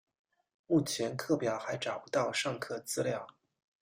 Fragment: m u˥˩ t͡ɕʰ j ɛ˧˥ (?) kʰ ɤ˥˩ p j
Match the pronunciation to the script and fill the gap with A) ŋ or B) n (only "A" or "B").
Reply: B